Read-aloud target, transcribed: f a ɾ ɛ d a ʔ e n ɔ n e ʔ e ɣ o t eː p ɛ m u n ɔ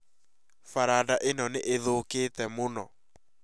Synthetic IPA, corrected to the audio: f a ɾ a d a ʔ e n ɔ n e ʔ e ð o k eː t ɛ m o n ɔ